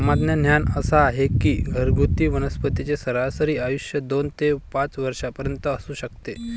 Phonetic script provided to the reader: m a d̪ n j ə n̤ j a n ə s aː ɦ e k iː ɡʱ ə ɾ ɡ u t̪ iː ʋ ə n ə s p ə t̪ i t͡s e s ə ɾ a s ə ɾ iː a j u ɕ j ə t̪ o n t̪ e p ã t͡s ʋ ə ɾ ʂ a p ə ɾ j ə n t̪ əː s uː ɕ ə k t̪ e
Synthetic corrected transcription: m a d̪ n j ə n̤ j a n ə s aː ɦ e k iː ɡʱ ə ɾ ɡ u t̪ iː ʋ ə n ə s p ə t̪ i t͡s e s ə ɾ a s ə ɾ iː a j u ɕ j ə d̪ o n t̪ e p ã t͡s ʋ ə ɾ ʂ a p ə ɾ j ə n t̪ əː s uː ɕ ə k t̪ e